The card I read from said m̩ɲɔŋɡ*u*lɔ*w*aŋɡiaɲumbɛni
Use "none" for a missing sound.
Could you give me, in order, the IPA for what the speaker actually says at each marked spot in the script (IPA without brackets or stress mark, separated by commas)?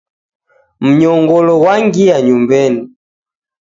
ɔ, w